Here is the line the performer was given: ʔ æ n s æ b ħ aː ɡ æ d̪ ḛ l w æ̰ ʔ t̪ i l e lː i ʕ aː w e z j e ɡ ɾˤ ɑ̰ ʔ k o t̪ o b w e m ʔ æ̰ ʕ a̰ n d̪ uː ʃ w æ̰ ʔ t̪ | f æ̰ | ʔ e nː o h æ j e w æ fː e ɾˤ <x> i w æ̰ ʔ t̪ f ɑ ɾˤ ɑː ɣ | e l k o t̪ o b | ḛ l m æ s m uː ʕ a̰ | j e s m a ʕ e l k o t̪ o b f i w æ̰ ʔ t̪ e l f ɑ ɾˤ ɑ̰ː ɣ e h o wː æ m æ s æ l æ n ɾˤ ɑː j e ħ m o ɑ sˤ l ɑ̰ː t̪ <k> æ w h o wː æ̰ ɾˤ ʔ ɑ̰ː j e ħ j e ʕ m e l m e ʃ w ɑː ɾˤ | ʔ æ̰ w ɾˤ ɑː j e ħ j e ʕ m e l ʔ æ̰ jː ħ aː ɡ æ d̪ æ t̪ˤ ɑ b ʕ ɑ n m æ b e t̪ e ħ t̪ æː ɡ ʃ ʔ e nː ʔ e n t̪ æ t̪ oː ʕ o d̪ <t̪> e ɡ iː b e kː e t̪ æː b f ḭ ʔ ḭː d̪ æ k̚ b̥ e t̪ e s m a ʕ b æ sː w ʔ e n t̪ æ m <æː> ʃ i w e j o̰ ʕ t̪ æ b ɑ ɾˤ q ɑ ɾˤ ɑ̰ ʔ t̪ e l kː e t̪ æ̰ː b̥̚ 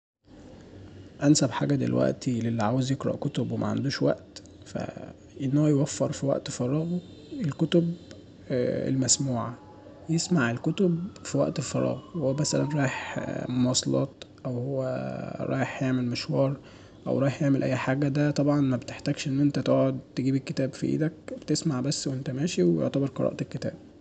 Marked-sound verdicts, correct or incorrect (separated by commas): incorrect, incorrect, correct, correct